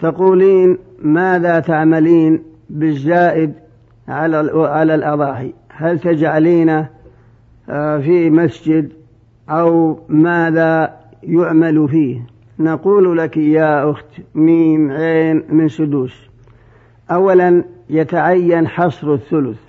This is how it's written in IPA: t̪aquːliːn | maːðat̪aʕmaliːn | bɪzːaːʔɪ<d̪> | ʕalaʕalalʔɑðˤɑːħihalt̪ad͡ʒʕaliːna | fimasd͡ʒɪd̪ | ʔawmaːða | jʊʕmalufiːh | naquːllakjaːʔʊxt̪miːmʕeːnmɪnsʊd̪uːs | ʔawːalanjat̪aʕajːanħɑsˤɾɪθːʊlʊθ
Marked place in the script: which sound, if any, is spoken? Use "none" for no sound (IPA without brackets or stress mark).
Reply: d̪